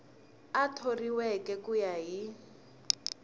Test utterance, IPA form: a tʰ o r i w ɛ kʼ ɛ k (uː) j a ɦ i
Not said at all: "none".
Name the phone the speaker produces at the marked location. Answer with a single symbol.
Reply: u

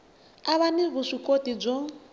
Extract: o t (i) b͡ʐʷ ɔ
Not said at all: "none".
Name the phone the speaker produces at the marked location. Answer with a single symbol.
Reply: i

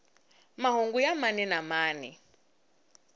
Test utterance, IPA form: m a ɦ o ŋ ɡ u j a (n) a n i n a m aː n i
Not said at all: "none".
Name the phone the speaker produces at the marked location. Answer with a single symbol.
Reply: m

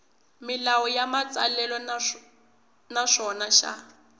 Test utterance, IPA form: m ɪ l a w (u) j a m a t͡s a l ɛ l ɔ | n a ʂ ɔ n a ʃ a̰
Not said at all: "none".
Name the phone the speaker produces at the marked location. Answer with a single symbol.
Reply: ɔ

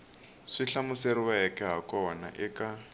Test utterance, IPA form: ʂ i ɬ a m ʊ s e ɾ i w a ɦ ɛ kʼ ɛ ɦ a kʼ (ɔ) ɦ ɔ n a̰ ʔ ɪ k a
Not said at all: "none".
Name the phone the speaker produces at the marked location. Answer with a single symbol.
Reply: ɔ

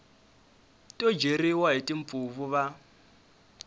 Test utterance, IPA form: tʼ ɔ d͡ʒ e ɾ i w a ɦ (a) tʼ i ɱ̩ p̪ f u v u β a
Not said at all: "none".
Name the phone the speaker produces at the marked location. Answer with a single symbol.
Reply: i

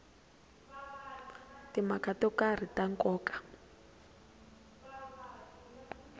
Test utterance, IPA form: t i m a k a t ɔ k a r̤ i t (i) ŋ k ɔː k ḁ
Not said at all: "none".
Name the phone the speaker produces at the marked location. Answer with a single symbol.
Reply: a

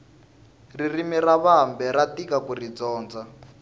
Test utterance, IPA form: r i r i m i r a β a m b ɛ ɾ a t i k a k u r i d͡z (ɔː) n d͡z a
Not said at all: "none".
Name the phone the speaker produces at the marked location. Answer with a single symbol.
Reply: ɔː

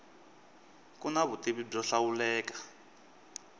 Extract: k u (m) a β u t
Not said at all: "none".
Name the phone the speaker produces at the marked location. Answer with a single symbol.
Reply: n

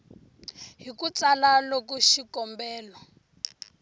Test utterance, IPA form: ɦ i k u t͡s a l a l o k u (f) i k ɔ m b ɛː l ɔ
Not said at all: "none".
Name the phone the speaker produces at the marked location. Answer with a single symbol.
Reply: ʃ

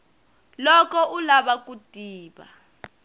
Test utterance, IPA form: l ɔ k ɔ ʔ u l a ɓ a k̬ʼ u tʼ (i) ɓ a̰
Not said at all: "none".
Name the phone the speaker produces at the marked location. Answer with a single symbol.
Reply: iː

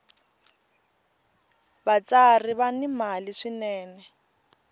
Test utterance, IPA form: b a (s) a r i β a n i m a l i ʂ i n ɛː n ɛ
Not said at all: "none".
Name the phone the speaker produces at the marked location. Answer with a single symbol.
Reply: t͡s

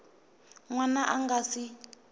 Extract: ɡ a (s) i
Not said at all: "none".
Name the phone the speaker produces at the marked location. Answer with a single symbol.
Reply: s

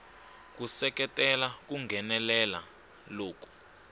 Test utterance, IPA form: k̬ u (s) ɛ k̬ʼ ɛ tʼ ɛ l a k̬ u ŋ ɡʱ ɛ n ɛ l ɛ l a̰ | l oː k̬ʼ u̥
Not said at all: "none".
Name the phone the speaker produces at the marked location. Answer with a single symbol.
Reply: s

